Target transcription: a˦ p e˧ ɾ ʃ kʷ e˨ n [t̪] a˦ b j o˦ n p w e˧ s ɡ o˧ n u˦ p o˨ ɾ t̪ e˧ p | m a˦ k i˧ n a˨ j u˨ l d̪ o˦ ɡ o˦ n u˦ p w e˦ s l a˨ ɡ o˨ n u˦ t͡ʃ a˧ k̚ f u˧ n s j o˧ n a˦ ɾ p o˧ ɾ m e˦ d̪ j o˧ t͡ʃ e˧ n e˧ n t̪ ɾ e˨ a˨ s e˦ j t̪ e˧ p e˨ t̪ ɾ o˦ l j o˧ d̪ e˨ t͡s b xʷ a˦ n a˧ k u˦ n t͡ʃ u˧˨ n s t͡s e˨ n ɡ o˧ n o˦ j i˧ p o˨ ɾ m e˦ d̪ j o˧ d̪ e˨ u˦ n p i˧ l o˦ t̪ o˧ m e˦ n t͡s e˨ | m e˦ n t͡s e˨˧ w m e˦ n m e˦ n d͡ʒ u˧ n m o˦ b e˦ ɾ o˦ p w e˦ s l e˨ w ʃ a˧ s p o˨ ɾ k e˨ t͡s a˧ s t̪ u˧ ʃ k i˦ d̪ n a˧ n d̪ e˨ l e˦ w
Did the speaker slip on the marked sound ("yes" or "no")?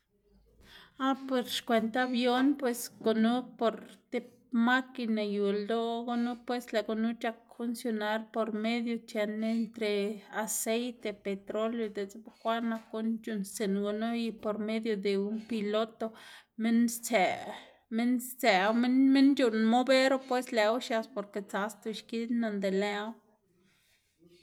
no